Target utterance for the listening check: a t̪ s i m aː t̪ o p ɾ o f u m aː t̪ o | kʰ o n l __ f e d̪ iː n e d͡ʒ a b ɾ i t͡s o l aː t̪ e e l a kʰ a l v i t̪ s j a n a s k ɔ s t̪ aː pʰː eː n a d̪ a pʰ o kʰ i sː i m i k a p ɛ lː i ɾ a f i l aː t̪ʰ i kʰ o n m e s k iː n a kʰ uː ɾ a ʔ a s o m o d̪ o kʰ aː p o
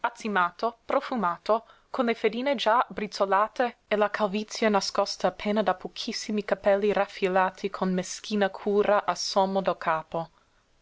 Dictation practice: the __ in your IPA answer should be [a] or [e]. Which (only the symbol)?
e